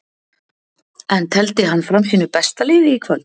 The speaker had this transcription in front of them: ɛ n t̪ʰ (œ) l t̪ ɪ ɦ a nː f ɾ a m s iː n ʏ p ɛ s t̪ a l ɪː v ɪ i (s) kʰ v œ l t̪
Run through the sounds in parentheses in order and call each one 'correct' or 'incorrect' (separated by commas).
incorrect, incorrect